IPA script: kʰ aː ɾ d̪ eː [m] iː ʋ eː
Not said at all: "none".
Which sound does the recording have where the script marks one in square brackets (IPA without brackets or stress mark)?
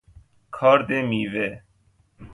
m